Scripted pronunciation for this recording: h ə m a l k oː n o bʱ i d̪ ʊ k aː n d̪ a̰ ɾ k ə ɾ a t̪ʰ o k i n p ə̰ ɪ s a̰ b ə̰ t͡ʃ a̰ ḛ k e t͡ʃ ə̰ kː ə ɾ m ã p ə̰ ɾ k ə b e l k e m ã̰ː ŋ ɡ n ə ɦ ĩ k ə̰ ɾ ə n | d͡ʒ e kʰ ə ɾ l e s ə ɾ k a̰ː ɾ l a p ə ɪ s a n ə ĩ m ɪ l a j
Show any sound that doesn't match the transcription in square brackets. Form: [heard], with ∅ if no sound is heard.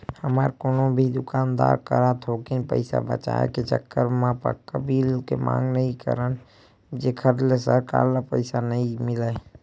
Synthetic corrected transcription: h ə m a [ɾ] k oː n o bʱ i d̪ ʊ k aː n d̪ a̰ ɾ k ə ɾ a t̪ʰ o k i n p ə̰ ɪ s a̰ b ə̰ t͡ʃ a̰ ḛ k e t͡ʃ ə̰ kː ə ɾ m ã p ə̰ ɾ k ə b [i] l k e m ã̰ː ŋ ɡ n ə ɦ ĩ k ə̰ ɾ ə n | d͡ʒ e kʰ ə ɾ l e s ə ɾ k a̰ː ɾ l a p ə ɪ s a n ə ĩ m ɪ l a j